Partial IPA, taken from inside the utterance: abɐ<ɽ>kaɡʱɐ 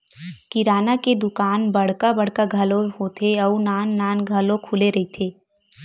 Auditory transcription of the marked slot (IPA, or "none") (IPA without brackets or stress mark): ɽ